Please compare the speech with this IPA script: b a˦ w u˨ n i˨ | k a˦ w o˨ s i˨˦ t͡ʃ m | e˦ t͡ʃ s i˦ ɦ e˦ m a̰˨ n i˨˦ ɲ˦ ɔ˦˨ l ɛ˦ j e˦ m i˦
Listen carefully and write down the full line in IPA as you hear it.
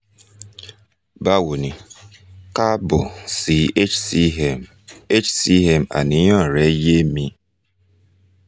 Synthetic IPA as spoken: b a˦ w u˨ n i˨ | k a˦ b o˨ s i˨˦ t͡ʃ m | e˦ t͡ʃ s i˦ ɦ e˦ m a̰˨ n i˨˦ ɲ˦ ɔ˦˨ ɾ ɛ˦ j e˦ m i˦